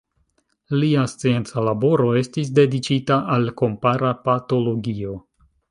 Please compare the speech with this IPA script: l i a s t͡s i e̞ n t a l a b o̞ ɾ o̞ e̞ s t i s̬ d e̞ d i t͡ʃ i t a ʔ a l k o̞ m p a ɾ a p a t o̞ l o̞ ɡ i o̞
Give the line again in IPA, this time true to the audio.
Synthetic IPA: l i a s t͡s i e̞ n t͡s a l a b o̞ ɾ o̞ e̞ s t i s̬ d e̞ d i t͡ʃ i t a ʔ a l k o̞ m p a ɾ a p a t o̞ l o̞ ɡ i o̞